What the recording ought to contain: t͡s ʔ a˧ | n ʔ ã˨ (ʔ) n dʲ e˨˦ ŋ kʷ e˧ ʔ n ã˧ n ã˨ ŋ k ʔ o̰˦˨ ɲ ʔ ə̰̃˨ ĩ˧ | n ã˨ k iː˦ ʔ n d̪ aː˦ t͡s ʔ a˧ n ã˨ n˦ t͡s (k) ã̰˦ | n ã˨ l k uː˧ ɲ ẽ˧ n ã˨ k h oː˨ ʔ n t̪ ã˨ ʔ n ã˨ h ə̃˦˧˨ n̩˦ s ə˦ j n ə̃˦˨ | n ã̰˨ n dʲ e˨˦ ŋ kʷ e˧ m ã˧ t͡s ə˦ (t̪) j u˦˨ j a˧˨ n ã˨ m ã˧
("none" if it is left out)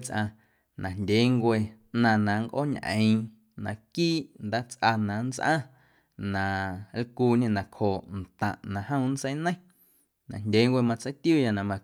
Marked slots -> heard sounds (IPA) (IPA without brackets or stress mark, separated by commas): none, ʔ, t̪